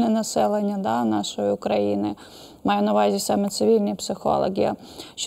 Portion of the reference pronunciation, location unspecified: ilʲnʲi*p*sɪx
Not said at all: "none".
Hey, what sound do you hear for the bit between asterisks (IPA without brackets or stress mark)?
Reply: p